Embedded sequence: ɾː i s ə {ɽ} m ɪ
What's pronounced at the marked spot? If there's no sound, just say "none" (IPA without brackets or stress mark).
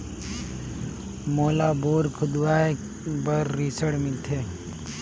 ɽ